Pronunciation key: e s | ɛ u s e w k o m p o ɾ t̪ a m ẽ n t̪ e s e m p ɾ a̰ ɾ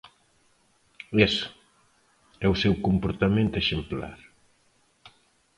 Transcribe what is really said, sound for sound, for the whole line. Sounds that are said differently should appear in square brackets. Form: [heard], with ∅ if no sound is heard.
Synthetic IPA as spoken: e s | ɛ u s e w k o m p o ɾ t̪ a m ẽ n t̪ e [ʃ] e m p [l] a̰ ɾ